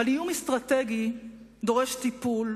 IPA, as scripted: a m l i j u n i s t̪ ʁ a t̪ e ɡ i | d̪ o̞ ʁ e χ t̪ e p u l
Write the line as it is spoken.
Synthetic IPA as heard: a l i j u m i s t̪ ʁ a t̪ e ɡ i | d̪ o̞ ʁ e ʃ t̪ i p u l